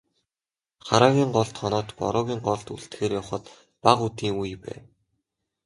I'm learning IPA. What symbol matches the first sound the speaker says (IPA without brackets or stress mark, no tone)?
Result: χ